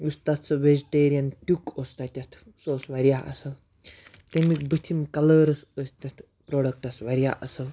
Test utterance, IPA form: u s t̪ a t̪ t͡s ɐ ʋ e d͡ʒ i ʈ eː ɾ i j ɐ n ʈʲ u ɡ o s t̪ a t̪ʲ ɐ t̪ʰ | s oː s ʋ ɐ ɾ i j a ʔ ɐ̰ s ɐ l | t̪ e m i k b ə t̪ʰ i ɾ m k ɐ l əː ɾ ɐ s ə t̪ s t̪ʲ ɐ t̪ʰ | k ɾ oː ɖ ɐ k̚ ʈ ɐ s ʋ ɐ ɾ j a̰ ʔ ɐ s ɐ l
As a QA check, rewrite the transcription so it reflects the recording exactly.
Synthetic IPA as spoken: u s t̪ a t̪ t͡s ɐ ʋ e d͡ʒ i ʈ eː ɾ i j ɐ n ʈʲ u k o s t̪ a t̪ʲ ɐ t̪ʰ | s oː s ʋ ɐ ɾ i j a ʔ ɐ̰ s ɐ l | t̪ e m i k b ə t̪ʰ i m k ɐ l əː ɾ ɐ s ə s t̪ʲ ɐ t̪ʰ | p ɾ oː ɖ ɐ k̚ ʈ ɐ s ʋ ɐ ɾ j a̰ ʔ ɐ s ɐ l